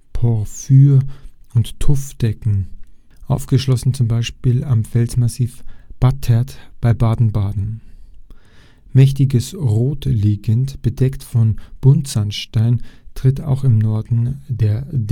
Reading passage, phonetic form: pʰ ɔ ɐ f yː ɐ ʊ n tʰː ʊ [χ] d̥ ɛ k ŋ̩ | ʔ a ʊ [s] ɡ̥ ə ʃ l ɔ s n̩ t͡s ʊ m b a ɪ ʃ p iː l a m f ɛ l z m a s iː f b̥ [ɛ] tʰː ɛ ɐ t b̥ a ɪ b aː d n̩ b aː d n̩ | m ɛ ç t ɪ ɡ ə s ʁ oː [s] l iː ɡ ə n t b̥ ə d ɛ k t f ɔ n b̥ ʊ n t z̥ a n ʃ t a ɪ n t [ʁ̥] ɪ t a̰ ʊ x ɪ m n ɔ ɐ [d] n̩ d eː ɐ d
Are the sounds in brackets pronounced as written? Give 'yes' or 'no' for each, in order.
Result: no, no, no, no, yes, yes

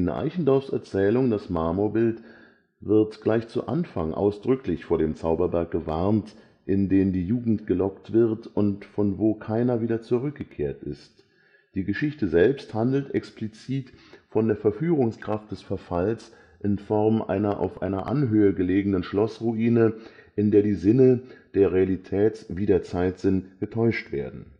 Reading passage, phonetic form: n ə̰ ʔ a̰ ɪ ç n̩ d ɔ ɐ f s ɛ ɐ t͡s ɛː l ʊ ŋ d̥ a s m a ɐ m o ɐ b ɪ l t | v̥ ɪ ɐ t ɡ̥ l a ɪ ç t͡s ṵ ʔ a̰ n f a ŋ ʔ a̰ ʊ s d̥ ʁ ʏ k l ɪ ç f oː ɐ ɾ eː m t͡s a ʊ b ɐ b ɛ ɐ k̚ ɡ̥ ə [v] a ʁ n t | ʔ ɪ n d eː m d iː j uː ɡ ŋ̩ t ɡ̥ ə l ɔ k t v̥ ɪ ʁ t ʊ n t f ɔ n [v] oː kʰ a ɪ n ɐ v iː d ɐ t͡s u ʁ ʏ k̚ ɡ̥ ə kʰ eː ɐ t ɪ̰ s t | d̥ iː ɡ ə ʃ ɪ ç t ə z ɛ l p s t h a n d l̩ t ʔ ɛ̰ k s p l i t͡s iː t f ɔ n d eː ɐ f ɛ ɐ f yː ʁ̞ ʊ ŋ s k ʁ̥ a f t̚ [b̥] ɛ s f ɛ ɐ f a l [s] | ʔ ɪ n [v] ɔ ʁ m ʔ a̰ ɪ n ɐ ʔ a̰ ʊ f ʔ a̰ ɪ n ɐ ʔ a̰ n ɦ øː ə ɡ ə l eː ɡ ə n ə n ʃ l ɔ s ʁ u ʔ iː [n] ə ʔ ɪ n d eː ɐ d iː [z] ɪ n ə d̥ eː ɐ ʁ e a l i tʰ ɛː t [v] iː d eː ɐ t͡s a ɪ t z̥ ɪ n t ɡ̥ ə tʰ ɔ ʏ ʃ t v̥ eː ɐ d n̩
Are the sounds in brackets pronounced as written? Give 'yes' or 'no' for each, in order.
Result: yes, yes, no, yes, no, yes, yes, yes

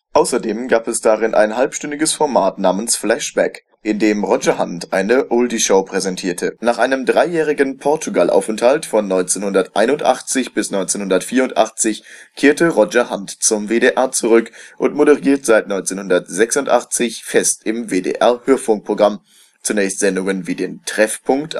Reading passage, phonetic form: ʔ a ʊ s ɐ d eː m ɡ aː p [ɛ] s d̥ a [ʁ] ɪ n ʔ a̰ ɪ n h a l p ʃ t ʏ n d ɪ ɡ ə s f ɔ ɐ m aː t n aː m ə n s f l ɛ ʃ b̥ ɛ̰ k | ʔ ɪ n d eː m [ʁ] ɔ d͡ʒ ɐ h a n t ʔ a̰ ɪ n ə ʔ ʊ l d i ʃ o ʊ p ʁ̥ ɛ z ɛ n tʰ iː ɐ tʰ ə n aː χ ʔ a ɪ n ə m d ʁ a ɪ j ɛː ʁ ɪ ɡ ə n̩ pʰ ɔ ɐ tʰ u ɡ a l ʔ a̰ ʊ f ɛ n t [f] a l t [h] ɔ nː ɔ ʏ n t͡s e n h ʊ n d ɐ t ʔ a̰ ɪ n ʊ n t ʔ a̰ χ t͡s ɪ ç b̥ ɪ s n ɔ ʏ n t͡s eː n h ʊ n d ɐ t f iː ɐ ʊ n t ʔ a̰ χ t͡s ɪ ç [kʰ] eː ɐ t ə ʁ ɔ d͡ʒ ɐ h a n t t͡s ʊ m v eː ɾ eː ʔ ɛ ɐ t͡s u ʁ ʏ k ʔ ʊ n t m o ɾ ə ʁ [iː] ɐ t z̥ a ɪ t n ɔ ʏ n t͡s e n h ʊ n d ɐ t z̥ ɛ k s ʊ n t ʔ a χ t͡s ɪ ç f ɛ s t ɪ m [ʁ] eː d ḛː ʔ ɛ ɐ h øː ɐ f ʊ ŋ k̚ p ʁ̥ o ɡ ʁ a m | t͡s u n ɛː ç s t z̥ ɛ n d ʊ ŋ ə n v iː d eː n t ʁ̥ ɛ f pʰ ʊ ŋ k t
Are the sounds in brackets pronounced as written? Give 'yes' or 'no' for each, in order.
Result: yes, yes, yes, no, no, yes, yes, no

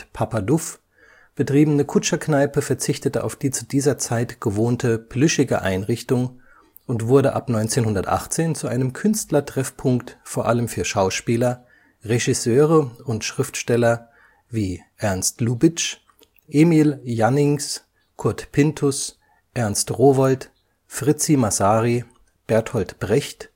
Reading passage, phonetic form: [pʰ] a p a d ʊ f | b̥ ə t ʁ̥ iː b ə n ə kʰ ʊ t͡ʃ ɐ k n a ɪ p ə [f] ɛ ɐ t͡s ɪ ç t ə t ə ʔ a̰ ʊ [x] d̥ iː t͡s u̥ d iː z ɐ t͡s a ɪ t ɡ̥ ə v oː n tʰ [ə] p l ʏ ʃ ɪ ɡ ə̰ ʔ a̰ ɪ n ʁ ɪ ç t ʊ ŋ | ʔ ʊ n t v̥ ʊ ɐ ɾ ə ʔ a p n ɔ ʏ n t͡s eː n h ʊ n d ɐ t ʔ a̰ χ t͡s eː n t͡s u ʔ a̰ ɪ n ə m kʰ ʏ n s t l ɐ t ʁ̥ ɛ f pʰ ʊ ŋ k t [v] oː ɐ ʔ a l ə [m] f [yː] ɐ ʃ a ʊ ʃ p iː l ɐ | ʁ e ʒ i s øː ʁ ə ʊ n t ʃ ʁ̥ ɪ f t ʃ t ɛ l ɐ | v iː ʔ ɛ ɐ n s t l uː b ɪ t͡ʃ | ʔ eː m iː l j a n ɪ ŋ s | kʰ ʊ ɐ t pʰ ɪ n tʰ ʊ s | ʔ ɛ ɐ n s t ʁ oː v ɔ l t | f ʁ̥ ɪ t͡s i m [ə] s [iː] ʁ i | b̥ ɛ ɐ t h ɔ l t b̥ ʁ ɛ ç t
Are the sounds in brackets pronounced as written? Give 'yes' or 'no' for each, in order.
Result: yes, yes, no, yes, no, yes, yes, no, no

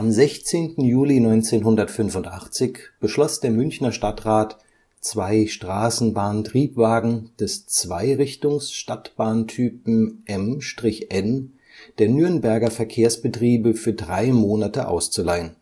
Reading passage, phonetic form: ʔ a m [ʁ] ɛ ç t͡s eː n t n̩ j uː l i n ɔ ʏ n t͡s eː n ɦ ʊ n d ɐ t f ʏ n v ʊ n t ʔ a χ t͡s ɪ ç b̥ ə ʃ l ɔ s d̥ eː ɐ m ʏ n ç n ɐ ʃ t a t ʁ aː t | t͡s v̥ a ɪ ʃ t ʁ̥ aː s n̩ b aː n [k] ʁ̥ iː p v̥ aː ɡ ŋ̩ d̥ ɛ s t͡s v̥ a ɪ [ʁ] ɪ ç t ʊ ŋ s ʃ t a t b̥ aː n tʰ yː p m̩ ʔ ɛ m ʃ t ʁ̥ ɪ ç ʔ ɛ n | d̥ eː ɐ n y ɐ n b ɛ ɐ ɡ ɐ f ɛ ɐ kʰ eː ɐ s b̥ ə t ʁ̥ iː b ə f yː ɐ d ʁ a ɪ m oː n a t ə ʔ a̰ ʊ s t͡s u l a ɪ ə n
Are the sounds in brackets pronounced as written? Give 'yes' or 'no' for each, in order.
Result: no, no, yes

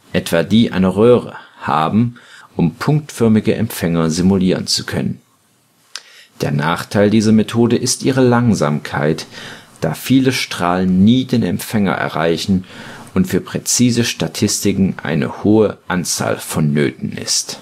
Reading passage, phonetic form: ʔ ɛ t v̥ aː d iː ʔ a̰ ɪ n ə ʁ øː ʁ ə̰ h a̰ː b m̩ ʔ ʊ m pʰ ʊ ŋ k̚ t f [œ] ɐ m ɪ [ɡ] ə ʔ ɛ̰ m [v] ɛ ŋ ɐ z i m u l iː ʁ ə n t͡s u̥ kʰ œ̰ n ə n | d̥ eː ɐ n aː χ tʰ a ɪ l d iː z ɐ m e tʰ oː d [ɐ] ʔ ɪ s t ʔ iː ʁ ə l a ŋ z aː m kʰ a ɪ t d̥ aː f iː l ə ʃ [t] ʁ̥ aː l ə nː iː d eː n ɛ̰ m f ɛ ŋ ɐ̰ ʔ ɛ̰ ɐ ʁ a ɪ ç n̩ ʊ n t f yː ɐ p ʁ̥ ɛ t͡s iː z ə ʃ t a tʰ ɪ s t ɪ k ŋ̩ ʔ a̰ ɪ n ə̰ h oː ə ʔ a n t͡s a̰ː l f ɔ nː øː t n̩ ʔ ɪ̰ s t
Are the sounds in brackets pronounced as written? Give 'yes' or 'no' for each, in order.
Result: yes, yes, no, no, yes

